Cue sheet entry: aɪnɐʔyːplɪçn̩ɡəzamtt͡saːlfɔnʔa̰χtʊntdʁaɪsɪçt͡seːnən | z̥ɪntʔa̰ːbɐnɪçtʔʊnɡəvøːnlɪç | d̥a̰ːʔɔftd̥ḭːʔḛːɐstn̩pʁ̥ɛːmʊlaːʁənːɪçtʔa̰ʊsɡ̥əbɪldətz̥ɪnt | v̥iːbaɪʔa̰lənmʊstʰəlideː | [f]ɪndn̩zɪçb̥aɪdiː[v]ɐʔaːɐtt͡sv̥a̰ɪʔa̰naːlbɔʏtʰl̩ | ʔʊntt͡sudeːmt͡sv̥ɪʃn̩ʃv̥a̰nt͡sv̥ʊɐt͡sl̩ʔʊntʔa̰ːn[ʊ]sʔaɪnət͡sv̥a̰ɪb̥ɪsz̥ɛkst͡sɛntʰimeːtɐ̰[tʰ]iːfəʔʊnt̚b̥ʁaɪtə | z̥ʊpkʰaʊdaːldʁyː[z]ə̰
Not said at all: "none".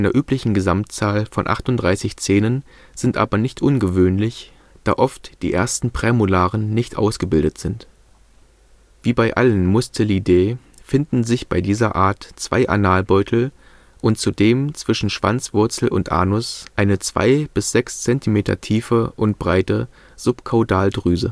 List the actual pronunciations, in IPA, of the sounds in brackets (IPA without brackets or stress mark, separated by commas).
f, z, ʊ, tʰ, z